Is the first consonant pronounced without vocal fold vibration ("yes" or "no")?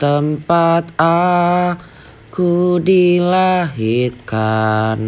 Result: yes